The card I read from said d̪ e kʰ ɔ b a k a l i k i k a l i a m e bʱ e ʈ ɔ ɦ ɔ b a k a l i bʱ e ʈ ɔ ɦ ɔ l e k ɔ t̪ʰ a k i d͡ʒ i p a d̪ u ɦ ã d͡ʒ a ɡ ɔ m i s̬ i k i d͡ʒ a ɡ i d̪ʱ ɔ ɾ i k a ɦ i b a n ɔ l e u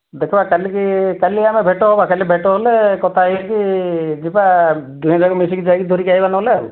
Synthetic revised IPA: d̪ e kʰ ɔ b a k a l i k i k a l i a m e bʱ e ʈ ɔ ɦ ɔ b a k a l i bʱ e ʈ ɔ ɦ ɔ l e k ɔ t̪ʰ a k i d͡ʒ i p a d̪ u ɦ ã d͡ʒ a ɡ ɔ m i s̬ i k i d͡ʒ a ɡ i d̪ʱ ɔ ɾ i k a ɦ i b a n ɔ l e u